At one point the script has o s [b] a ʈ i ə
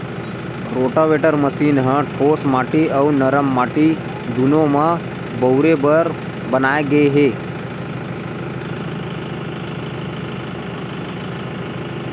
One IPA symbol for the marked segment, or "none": m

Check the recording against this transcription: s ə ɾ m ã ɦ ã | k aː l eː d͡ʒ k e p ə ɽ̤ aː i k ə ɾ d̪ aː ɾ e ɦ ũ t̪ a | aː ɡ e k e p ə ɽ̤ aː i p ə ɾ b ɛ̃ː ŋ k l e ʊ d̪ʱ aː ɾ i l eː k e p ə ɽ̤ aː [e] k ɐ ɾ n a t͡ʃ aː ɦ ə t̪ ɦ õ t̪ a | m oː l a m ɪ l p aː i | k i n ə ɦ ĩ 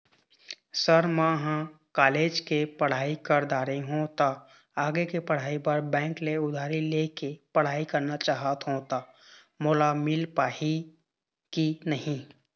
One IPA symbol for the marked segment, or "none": i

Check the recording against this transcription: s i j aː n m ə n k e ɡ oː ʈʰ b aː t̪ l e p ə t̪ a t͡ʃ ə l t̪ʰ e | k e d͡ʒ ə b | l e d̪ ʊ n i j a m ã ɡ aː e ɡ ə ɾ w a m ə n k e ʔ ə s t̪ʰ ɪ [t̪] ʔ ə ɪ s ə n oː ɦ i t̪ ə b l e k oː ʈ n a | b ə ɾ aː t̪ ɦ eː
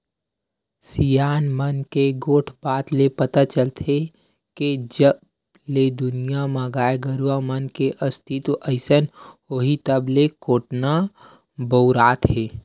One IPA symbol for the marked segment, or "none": t̪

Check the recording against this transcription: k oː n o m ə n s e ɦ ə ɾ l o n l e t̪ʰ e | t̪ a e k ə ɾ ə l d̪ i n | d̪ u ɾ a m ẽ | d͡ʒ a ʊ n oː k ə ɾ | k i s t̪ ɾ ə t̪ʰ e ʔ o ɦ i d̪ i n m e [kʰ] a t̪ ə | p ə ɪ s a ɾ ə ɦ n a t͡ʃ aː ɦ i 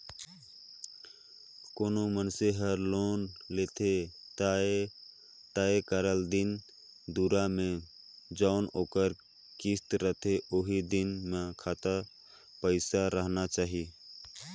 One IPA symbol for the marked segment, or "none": kʰ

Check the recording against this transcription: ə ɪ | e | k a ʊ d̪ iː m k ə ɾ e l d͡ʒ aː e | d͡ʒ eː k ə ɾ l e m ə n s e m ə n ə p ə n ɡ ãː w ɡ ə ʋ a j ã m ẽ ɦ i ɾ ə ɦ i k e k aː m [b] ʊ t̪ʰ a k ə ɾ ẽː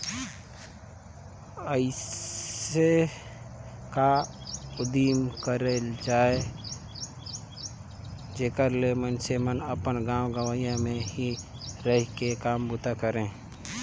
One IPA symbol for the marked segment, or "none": b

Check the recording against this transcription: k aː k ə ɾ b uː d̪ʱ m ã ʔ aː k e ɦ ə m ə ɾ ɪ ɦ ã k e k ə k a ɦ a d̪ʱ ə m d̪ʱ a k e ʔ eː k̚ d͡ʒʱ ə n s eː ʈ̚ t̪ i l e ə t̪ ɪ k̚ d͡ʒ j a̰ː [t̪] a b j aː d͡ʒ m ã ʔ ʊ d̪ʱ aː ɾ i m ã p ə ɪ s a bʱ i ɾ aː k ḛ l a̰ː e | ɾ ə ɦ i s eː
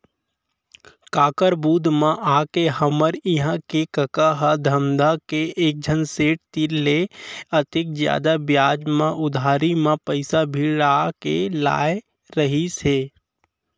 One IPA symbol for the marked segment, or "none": d̪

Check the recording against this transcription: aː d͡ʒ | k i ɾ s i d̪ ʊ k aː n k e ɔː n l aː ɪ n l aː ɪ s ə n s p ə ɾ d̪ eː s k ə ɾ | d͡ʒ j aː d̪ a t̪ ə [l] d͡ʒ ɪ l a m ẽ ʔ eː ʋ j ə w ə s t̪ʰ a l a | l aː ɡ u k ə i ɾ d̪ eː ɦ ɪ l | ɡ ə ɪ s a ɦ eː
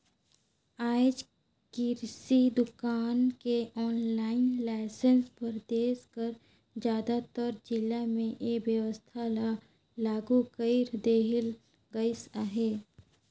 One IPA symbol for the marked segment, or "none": ɾ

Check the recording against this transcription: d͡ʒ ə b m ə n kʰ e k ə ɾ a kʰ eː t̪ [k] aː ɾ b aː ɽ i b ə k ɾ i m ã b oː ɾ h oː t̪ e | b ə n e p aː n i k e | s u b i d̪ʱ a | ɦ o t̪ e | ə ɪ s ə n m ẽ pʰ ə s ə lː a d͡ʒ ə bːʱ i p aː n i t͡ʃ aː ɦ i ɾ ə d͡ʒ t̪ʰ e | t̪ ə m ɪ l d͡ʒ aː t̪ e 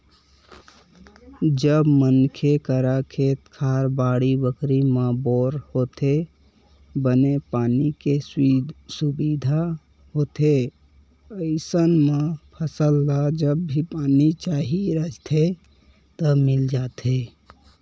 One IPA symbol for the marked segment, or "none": kʰ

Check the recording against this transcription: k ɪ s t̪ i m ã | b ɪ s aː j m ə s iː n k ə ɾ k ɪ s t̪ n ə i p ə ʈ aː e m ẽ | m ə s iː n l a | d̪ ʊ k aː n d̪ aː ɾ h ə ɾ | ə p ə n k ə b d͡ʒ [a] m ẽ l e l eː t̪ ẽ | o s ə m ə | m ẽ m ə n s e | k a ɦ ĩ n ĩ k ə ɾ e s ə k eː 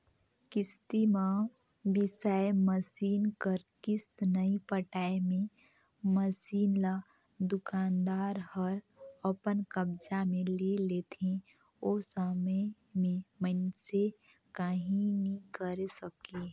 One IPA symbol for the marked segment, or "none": a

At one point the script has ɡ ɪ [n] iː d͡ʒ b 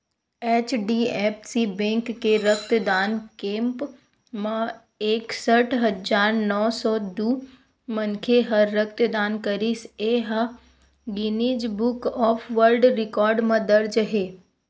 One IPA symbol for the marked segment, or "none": n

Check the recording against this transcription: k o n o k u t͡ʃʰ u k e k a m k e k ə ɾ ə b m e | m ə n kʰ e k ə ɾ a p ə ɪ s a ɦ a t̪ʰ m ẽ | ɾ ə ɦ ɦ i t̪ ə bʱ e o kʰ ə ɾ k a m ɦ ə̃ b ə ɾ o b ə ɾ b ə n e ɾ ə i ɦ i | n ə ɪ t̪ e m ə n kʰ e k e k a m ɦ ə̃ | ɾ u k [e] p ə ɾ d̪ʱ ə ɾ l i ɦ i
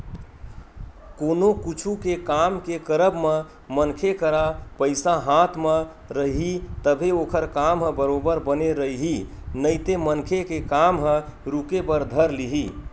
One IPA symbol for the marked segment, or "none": e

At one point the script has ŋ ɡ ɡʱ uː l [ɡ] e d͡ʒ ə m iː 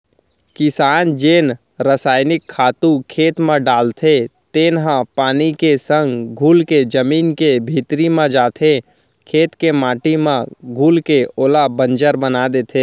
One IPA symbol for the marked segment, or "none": k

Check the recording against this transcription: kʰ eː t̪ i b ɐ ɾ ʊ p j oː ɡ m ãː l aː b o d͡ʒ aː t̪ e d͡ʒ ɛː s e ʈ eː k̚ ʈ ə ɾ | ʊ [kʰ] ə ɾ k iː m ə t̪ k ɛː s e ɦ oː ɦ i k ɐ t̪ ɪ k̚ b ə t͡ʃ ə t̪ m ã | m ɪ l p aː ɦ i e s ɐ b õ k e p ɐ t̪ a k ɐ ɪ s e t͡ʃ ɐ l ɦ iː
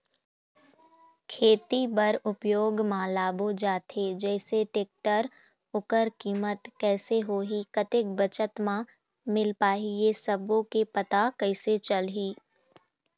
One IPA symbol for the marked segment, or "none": k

